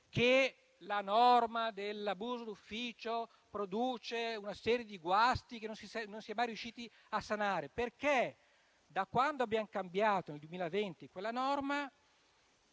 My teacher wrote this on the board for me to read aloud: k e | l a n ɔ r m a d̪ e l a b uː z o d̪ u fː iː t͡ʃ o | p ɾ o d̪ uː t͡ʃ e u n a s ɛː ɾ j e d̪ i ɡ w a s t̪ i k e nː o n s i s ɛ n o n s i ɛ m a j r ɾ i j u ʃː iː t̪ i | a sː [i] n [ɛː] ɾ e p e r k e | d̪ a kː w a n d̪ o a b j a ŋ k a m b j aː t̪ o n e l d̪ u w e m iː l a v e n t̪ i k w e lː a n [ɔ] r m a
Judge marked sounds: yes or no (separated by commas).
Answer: no, no, yes